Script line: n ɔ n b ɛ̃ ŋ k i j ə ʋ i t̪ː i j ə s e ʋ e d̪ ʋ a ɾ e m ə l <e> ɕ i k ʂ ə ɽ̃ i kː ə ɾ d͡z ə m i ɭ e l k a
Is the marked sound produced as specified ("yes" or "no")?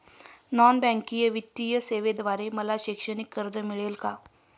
no